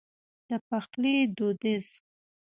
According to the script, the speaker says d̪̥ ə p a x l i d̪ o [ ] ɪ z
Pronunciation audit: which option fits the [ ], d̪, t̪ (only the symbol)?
d̪